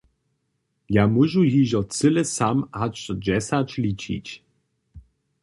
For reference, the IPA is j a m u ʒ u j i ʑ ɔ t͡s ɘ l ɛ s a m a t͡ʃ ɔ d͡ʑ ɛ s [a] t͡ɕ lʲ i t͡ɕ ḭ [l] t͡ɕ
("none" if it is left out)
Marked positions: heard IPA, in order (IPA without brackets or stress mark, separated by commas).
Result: a, none